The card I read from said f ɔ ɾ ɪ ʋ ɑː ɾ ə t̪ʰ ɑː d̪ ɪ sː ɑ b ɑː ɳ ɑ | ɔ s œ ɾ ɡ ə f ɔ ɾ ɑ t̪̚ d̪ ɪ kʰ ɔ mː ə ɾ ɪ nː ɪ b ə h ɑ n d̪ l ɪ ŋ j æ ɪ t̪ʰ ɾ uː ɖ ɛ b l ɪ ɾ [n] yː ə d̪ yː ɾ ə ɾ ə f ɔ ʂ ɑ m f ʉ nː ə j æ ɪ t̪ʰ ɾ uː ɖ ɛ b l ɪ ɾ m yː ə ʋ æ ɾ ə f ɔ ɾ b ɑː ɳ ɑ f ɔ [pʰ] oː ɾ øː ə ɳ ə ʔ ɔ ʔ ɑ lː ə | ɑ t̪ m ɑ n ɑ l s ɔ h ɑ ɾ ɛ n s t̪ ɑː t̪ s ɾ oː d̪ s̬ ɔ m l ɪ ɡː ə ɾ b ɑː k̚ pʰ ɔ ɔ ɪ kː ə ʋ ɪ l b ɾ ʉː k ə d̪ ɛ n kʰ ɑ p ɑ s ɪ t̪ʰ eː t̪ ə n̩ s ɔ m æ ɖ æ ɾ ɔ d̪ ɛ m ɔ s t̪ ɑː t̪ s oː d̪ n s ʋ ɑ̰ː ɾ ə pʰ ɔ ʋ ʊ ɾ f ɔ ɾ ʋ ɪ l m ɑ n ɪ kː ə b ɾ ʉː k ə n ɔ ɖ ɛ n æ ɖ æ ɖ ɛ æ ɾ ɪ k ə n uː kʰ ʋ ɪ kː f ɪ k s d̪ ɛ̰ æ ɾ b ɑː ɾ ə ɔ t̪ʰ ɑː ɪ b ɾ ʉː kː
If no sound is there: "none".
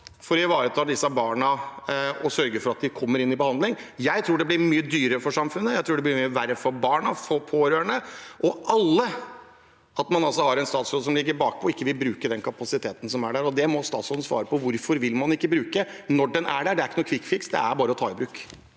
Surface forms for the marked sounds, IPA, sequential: m, pʰ

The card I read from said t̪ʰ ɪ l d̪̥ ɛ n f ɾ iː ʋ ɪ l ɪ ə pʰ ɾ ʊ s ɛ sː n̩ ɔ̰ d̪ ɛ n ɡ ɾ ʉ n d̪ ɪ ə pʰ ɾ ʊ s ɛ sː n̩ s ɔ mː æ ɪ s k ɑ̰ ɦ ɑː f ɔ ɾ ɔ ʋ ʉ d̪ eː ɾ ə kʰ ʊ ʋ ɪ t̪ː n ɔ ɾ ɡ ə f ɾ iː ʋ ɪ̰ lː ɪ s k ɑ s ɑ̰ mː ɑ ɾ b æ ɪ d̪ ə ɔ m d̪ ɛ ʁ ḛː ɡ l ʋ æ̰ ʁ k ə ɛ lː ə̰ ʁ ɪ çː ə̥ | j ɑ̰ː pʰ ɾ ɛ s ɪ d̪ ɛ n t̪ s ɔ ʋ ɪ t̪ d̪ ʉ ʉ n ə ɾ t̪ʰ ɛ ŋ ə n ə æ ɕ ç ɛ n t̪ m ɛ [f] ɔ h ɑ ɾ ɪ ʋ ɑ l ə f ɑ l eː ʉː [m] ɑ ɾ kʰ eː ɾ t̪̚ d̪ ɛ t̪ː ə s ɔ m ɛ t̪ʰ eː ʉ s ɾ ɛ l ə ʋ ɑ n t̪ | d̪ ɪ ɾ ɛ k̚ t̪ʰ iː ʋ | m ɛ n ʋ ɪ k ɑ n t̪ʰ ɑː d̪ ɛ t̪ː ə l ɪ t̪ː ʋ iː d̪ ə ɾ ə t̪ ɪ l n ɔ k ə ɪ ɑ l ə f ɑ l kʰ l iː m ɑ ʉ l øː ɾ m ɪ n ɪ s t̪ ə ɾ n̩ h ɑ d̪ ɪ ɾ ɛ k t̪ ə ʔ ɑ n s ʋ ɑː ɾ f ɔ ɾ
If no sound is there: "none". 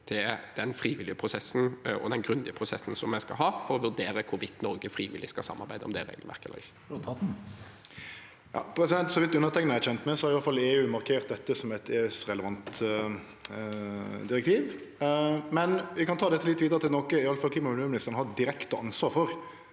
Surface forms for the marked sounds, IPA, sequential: s, m

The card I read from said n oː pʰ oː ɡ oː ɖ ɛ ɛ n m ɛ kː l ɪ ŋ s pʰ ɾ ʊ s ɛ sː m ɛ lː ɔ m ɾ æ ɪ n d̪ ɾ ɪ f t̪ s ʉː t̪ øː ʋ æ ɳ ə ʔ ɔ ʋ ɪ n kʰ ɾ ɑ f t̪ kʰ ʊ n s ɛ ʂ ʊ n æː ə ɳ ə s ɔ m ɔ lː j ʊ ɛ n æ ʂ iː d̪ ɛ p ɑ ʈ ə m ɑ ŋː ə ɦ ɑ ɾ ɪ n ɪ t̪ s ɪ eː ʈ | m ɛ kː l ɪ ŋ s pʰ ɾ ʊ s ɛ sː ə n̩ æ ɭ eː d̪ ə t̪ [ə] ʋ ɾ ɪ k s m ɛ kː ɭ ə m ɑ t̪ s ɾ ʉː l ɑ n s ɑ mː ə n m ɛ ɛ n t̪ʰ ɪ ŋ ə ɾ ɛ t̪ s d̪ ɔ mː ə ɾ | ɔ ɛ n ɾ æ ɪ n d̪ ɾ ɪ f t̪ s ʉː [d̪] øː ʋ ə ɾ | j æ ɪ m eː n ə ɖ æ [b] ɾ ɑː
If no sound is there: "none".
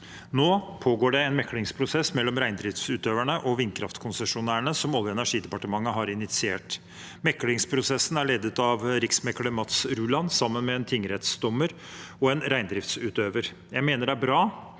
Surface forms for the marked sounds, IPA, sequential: ɑ, t̪, b

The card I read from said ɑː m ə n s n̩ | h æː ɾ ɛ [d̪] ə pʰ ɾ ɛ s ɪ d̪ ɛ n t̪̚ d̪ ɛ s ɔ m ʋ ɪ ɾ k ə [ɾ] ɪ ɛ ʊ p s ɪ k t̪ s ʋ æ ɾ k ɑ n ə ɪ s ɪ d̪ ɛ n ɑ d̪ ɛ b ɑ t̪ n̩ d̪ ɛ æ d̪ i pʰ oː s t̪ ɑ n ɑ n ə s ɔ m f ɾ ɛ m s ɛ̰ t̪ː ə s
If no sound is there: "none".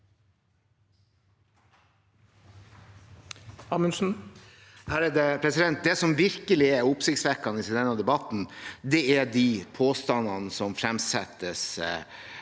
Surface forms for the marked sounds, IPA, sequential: d̪, l

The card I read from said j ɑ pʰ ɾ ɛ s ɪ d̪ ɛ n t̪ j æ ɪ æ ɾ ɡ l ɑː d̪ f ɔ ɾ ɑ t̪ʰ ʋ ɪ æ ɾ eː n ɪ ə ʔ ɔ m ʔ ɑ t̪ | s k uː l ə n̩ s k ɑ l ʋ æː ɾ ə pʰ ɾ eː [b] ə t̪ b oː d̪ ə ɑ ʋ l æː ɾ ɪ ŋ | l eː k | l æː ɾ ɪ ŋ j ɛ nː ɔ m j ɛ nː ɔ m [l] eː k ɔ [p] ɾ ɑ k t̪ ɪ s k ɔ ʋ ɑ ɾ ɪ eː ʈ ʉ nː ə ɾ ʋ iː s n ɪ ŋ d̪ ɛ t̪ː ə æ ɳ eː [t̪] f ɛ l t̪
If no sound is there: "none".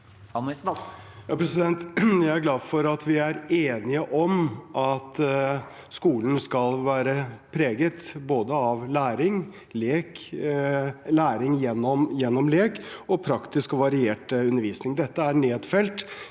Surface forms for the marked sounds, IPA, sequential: ɡ, l, pʰ, d̪

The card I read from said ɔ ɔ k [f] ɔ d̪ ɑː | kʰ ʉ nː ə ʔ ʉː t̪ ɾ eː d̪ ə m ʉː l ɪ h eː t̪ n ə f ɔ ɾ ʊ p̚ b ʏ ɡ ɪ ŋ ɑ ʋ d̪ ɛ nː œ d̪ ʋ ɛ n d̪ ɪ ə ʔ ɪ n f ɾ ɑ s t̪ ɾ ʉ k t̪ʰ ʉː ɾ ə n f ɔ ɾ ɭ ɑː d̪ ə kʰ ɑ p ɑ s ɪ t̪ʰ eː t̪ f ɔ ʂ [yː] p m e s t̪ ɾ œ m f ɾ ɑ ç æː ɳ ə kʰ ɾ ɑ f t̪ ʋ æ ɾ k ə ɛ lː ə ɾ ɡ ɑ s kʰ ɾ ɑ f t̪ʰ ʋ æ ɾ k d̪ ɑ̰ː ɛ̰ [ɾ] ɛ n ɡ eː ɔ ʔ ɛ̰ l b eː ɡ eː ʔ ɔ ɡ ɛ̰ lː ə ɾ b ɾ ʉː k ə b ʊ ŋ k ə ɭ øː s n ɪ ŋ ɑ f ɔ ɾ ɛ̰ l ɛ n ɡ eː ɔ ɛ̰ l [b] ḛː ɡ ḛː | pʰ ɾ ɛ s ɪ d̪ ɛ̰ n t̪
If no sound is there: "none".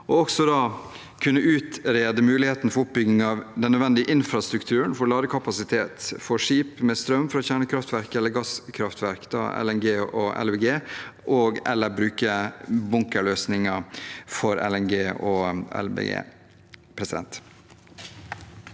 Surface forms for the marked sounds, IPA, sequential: s, iː, l, b

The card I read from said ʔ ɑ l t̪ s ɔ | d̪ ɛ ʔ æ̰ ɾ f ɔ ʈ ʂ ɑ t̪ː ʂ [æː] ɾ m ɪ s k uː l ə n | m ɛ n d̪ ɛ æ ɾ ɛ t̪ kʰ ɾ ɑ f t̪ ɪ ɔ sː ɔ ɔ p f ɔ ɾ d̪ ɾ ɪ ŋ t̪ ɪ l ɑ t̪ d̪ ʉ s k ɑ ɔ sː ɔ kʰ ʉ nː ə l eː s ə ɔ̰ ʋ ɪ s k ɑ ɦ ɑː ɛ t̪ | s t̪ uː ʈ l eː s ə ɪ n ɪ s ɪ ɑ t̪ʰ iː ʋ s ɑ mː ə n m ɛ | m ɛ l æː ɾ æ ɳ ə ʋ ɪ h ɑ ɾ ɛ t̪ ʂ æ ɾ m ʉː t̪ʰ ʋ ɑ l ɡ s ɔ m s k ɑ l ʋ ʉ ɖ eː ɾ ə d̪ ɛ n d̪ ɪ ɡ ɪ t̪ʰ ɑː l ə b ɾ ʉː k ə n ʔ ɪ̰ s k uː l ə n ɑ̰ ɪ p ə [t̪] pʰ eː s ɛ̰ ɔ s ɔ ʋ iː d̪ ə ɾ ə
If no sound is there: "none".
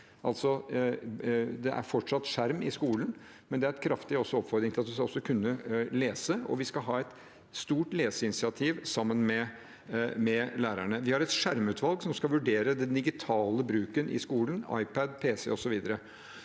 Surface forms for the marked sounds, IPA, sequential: æ, d̪

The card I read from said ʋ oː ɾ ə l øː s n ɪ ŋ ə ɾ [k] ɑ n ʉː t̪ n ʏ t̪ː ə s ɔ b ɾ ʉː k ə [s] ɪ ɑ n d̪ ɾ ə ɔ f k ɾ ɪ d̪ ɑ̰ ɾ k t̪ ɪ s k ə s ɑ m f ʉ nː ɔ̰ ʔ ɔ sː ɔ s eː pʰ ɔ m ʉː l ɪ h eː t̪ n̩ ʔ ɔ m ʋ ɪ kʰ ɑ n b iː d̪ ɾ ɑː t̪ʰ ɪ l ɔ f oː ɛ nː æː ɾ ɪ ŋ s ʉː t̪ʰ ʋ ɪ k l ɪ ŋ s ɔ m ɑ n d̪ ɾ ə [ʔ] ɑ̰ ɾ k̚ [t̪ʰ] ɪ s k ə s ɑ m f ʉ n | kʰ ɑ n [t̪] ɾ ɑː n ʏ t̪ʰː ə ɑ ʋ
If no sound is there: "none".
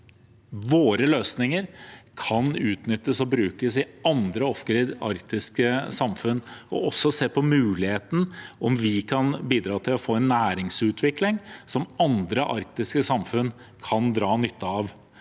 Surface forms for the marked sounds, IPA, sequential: kʰ, s, ʔ, t̪, d̪

